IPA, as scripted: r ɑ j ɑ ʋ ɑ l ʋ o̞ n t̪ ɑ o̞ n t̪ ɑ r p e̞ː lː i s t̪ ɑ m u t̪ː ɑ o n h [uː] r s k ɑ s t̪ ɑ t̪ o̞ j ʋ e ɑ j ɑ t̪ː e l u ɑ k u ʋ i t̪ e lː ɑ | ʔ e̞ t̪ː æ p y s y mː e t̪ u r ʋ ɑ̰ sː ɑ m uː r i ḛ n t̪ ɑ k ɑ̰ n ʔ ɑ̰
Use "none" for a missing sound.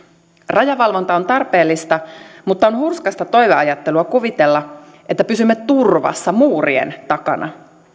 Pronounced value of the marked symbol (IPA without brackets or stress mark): u